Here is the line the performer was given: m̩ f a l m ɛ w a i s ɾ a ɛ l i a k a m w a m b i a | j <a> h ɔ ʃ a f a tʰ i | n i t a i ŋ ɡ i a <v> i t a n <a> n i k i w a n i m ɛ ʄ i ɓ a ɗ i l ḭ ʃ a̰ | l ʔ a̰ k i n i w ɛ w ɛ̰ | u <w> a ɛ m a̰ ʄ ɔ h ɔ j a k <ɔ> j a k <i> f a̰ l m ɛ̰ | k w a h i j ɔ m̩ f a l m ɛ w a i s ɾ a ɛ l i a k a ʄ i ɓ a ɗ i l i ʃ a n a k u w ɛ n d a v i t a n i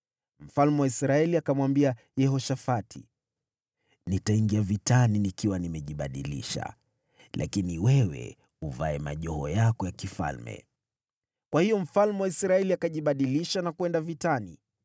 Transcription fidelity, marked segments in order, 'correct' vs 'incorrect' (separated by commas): incorrect, correct, incorrect, incorrect, correct, correct